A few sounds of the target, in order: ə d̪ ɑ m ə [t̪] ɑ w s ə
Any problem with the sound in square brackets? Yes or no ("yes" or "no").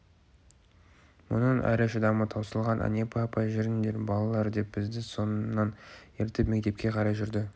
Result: yes